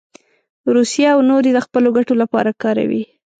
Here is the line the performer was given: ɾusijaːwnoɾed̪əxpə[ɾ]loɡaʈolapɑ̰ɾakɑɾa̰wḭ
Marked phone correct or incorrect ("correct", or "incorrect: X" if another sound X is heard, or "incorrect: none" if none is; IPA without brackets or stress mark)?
incorrect: none